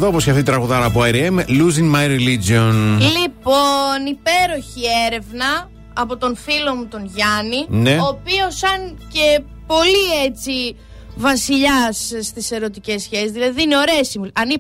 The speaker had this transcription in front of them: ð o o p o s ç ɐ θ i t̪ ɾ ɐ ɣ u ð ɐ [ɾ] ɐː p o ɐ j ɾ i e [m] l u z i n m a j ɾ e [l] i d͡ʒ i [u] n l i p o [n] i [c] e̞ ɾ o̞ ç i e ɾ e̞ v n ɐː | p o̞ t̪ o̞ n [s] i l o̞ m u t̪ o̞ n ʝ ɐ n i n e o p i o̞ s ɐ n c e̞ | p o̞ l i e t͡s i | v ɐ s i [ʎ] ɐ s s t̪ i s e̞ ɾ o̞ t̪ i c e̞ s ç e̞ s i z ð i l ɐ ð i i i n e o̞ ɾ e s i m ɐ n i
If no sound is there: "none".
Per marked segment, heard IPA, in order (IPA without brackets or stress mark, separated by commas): ɾ, m, l, o, n, p, f, ʎ